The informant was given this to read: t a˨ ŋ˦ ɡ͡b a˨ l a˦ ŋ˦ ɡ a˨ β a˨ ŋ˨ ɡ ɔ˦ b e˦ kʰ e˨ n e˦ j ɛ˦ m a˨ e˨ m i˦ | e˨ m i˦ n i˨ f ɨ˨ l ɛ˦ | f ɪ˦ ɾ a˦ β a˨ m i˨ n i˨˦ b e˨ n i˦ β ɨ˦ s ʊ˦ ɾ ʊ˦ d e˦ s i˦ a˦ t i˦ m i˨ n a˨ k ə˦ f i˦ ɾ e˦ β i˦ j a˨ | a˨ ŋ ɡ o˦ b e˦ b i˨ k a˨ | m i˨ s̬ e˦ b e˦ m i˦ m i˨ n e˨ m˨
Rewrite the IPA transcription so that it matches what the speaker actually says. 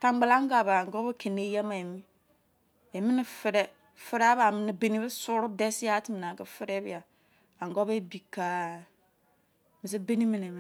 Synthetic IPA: t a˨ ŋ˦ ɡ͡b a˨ l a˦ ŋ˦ ɡ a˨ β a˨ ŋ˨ ɡ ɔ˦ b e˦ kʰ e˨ n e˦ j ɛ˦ m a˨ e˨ m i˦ | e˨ m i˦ n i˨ f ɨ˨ ɾ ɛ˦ | f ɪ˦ ɾ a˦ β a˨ m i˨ n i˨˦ b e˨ n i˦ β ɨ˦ s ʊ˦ ɾ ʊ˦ d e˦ s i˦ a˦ t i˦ m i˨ n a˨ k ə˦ f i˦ ɾ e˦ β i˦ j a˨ | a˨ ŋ ɡ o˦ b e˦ b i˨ k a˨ | m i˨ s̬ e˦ b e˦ n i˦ m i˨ n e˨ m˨